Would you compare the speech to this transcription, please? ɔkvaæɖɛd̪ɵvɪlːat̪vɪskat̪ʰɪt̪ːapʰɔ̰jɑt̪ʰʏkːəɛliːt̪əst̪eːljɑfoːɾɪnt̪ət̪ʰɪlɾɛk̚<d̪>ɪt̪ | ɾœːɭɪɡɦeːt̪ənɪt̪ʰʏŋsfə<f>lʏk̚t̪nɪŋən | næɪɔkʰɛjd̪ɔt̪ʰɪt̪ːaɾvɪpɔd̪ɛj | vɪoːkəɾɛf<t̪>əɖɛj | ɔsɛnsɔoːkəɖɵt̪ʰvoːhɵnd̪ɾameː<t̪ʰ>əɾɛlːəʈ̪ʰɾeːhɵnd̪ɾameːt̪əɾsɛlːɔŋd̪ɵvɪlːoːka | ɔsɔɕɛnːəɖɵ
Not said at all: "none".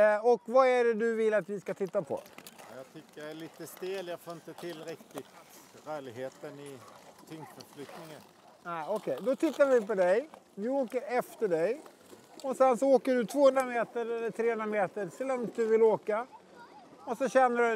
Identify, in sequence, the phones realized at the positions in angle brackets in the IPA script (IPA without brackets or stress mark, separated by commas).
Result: t̪, f, t̪, t̪